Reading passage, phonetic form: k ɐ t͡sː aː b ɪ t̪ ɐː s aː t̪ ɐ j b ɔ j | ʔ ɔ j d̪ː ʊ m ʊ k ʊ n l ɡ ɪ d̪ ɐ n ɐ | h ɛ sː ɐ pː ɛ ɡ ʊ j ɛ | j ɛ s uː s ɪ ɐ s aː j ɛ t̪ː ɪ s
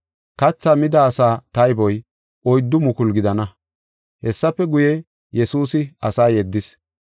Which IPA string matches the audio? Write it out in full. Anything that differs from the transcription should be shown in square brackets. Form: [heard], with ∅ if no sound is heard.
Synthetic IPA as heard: k ɐ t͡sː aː [m] ɪ [d̪] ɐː s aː t̪ ɐ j b ɔ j | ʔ ɔ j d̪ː ʊ m ʊ k ʊ [∅] l ɡ ɪ d̪ ɐ n ɐ | h ɛ sː ɐ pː ɛ ɡ ʊ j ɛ | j ɛ s uː s ɪ ɐ s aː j ɛ [d̪ː] ɪ s